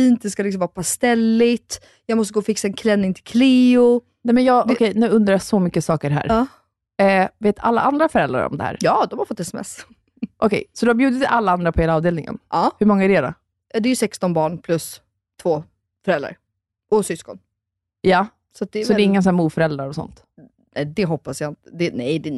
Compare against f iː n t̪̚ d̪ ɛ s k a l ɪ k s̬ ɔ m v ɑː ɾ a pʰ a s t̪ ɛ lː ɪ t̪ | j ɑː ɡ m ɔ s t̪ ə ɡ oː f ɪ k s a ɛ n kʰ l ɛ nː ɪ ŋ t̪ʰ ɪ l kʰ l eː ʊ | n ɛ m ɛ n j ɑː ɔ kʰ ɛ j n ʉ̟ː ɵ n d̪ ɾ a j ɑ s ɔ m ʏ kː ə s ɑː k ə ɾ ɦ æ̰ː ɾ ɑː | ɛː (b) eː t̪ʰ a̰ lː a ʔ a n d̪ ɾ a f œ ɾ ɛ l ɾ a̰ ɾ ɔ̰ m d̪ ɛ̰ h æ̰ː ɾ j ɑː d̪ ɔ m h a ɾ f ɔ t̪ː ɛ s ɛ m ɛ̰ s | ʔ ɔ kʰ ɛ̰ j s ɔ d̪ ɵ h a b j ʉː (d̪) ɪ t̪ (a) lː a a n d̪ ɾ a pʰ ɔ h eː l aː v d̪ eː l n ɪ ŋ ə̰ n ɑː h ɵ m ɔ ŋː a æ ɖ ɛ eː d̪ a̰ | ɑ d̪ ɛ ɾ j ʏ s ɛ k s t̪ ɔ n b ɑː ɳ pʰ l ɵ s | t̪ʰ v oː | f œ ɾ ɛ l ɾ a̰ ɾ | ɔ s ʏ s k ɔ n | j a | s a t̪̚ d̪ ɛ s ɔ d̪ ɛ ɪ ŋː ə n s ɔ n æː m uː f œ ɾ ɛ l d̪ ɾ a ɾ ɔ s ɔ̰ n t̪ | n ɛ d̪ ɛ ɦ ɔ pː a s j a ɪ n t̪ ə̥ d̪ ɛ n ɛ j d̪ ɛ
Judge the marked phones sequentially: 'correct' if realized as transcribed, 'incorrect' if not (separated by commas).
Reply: incorrect, correct, correct